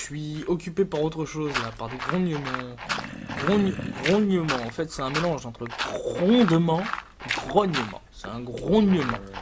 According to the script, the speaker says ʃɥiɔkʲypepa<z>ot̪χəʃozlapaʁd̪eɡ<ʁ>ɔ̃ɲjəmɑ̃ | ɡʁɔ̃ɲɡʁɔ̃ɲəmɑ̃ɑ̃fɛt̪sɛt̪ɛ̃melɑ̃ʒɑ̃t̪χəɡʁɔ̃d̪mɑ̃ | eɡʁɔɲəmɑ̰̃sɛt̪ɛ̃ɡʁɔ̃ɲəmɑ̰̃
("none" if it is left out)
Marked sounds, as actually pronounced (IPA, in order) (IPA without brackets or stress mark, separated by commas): ʁ, ʁ